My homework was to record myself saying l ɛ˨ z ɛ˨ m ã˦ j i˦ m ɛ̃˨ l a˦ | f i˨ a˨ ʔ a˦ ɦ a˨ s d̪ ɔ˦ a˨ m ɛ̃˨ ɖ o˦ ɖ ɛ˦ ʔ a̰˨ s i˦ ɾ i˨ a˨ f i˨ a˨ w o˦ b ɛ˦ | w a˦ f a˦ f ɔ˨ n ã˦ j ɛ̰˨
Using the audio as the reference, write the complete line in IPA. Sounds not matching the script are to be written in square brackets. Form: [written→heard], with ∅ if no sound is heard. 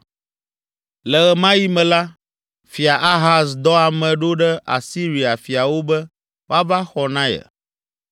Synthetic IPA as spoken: l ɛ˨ [z→ɣ] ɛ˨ m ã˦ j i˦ m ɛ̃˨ l a˦ | f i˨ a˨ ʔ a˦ ɦ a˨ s d̪ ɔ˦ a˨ m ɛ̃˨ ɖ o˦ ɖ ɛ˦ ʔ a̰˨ s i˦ ɾ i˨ a˨ f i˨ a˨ w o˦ b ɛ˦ | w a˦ [f→v] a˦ [f→x] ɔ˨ n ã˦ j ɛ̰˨